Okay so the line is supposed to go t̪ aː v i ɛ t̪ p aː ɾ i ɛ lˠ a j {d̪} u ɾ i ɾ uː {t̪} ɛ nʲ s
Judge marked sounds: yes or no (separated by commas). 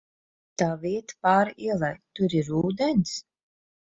no, no